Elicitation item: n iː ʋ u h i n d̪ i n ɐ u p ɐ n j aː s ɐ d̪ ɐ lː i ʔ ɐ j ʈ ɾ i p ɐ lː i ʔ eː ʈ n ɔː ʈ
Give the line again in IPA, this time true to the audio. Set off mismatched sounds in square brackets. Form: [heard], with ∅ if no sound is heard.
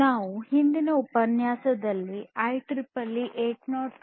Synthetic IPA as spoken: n [aː] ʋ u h i n d̪ i n ɐ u p ɐ n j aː s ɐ d̪ ɐ lː i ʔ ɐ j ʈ ɾ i p ɐ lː i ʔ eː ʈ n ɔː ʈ